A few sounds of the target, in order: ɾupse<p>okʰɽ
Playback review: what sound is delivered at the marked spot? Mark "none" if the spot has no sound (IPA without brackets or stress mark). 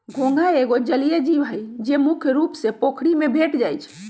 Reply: p